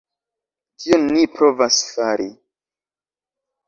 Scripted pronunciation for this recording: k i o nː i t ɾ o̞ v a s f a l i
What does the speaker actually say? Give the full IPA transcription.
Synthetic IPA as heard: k i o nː i p ɾ o̞ v a s f a ɾ i